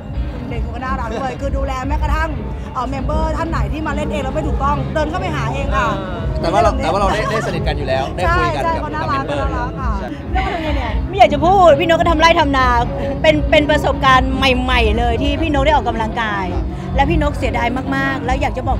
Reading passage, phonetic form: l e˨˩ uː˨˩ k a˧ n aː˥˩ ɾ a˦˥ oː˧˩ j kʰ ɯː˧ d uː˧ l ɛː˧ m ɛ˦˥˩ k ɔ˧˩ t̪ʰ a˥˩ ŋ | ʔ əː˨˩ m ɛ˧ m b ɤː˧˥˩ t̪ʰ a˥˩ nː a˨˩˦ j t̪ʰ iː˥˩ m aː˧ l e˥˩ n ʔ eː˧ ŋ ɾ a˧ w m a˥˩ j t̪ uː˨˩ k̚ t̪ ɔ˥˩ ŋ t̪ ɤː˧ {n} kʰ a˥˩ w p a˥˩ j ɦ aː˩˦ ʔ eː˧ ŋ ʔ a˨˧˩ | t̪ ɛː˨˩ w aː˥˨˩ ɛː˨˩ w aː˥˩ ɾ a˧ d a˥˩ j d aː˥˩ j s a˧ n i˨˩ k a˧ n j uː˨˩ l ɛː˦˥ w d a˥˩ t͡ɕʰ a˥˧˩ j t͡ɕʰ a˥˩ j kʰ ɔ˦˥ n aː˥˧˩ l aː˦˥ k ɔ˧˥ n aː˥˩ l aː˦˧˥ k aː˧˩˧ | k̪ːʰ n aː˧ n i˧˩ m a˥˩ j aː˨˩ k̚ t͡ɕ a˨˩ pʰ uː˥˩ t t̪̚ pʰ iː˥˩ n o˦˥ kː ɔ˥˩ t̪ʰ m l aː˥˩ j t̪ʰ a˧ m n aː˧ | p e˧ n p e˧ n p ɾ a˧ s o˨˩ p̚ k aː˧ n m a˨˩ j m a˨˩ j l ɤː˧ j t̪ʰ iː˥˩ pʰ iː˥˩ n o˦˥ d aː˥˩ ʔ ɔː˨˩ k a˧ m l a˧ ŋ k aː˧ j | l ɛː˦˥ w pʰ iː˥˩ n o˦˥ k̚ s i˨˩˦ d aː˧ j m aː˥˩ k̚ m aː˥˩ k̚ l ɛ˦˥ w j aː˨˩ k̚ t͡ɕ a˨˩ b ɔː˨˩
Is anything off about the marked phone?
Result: no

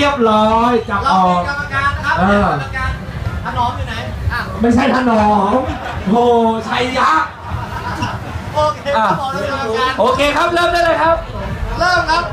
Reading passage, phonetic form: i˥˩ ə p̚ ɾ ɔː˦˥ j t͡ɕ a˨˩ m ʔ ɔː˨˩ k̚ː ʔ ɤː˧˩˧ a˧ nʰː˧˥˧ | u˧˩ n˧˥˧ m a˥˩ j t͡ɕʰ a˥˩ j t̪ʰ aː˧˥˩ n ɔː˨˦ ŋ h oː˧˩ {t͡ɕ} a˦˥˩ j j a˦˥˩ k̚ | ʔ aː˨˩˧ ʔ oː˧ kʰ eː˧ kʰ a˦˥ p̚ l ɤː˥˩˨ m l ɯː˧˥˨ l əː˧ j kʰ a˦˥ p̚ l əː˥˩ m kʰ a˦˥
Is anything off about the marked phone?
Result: yes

